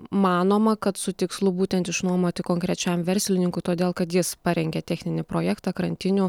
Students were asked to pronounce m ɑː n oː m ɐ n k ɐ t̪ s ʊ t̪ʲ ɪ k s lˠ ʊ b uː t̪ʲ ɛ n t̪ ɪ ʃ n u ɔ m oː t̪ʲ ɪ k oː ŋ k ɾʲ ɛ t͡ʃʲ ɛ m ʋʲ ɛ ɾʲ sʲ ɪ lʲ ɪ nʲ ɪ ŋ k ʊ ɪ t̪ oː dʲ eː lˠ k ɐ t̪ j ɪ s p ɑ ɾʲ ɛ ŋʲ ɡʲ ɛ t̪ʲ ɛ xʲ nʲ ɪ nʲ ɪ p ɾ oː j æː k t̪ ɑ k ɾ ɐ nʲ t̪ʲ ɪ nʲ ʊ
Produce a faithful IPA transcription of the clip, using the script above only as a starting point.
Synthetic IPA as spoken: m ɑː n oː m ɐ k ɐ t̪ s ʊ t̪ʲ ɪ k s lˠ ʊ b uː t̪ʲ ɛ n t̪ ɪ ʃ n u ɔ m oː t̪ʲ ɪ k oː ŋ k ɾʲ ɛ t͡ʃʲ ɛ m ʋʲ ɛ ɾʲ sʲ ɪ lʲ ɪ nʲ ɪ ŋ k ʊ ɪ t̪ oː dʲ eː lˠ k ɐ t̪ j ɪ s p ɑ ɾʲ ɛ ŋʲ ɡʲ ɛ t̪ʲ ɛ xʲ nʲ ɪ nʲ ɪ p ɾ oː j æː k t̪ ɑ k ɾ ɐ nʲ t̪ʲ ɪ nʲ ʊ